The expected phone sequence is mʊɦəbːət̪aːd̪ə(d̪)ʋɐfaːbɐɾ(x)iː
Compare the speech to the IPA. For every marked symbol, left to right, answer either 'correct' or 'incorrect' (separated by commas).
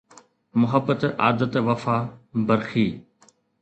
incorrect, correct